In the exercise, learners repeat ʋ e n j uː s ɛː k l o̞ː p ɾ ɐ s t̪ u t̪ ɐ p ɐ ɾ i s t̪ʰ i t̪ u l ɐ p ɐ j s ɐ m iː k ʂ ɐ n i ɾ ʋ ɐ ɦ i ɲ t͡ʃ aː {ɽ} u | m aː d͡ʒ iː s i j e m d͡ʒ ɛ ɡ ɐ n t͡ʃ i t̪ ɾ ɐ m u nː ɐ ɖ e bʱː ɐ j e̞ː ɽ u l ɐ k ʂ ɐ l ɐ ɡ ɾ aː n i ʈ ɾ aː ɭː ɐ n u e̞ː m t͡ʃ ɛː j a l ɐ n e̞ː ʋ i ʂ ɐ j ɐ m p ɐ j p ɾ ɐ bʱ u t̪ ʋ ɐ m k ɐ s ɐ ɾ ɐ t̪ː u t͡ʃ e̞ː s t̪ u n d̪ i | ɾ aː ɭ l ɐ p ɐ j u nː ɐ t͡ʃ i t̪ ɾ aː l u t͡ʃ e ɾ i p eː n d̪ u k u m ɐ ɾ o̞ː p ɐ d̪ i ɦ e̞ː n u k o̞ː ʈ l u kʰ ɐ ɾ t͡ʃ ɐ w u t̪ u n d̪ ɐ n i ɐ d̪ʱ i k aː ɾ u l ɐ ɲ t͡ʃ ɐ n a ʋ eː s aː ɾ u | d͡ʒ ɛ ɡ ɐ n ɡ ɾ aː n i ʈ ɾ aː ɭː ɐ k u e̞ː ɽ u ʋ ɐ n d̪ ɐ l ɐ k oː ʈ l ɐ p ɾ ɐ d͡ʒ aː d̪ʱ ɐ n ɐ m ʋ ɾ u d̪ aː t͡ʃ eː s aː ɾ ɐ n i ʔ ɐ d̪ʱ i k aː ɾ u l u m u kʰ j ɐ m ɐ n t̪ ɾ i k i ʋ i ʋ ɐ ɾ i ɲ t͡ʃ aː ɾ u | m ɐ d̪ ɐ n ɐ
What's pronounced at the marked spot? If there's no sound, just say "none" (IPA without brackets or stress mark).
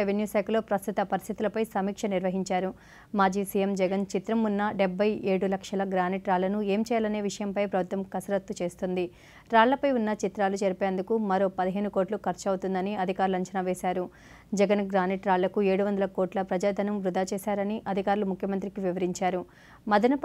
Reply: ɾ